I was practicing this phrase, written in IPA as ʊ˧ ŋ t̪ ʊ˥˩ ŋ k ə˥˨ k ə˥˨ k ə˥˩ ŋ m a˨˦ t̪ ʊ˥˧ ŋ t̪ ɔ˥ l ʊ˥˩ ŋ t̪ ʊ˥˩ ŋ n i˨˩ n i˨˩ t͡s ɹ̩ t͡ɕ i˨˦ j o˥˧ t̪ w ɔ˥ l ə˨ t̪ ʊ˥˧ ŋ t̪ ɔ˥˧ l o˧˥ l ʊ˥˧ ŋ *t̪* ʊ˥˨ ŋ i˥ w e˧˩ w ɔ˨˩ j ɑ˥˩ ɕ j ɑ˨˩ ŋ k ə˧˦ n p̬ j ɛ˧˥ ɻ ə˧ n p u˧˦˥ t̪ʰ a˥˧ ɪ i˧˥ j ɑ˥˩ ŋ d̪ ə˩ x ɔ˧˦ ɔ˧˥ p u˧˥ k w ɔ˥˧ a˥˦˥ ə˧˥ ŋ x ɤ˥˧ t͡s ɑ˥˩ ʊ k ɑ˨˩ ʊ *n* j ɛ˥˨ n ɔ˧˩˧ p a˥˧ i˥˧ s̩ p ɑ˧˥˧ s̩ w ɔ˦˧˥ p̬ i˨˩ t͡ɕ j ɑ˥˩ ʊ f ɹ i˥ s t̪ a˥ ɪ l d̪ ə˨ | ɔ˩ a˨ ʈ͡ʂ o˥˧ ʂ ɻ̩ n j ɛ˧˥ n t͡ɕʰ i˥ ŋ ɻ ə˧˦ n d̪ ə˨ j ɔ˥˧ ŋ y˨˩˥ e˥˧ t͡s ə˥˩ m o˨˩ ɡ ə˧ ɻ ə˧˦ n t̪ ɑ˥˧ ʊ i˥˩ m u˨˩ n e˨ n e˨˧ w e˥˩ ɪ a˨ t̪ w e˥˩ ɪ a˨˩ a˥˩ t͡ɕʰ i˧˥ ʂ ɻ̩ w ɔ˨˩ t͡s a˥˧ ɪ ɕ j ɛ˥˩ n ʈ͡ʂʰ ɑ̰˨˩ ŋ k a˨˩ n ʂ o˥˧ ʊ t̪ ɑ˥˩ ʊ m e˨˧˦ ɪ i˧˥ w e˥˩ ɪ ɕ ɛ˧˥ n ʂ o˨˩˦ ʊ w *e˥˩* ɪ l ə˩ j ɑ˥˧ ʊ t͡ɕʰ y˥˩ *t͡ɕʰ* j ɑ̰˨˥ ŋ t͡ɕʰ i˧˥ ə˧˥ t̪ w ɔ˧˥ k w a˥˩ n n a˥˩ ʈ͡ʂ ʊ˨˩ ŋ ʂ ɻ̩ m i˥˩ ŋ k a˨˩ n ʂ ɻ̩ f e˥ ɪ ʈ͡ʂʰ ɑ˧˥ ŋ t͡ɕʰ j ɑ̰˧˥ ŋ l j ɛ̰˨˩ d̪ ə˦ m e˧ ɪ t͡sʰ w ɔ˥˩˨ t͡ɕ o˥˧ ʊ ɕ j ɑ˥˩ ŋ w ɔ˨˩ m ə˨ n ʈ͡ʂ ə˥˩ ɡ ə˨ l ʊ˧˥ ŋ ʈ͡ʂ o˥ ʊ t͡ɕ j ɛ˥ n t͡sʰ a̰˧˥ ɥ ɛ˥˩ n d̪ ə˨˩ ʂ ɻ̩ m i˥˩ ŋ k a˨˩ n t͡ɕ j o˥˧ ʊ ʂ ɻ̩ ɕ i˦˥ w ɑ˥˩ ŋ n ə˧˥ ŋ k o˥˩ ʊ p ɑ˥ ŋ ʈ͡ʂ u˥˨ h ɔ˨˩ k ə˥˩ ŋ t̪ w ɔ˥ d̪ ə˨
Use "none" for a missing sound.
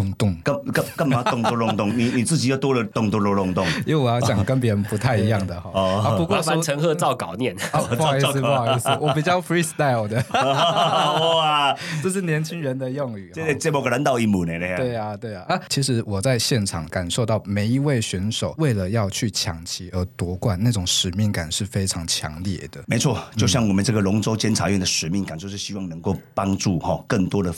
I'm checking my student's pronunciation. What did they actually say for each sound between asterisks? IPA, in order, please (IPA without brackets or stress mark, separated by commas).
t̪, n, e˥˩, t͡ɕʰ